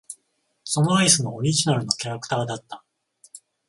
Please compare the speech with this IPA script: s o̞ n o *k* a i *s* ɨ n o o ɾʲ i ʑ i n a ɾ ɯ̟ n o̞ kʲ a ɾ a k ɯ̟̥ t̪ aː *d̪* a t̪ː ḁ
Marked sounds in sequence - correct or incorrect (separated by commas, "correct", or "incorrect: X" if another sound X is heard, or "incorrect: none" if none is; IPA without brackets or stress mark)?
incorrect: none, correct, correct